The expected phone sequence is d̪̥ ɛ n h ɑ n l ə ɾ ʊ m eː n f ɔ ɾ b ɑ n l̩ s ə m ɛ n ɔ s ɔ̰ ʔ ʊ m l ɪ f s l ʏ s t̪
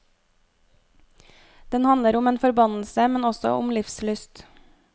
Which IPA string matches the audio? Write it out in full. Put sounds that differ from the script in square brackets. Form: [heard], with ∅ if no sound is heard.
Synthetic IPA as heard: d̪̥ ɛ n h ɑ n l ə ɾ ʊ m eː n f ɔ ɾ b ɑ n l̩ s ə m ɛ n ɔ s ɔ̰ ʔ ʊ m l ɪ f s l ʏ s t̪